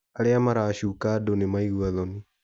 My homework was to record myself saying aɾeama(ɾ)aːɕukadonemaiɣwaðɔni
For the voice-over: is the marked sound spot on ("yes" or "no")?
yes